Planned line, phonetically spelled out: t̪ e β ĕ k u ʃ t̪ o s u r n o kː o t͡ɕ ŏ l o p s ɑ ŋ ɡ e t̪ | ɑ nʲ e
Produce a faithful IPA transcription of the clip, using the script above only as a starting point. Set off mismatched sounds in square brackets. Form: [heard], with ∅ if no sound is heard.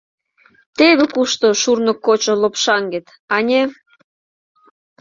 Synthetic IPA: t̪ e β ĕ k u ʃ t̪ o [ʃ] u r n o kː o t͡ɕ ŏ l o p [ʃ] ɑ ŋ ɡ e t̪ | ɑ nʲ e